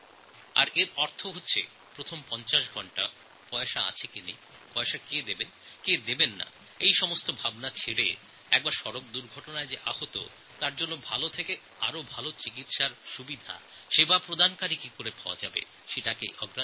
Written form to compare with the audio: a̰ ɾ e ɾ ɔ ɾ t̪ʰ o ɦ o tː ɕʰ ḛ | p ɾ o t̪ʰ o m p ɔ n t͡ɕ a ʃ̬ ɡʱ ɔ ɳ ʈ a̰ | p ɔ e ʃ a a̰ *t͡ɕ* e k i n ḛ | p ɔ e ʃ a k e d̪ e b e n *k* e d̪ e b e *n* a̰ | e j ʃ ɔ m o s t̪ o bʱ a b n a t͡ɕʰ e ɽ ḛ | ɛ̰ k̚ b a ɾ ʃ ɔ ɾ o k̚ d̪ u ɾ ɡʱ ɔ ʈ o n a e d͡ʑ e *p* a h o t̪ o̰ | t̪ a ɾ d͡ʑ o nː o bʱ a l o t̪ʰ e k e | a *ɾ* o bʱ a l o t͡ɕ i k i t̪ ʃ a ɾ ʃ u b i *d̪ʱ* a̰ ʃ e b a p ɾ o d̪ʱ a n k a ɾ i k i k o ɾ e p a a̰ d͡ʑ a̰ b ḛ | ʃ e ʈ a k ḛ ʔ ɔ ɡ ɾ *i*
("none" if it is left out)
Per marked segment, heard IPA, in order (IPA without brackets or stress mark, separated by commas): t͡ɕʰ, k, nː, ʔ, ɾ, d̪ʱ, a